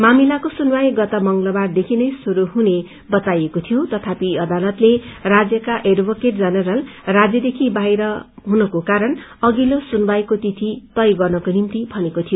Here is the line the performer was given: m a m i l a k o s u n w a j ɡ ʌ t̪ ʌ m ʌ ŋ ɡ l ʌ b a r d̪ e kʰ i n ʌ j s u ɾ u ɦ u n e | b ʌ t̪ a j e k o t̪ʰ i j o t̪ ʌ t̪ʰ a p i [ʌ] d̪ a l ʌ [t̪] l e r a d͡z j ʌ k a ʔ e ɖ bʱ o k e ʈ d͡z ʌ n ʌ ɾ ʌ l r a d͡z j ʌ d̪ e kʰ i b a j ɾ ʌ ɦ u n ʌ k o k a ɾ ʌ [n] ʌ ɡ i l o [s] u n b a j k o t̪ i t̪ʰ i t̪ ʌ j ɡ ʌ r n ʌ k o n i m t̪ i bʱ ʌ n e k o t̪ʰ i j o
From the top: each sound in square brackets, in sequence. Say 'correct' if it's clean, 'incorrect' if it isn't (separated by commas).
correct, correct, correct, correct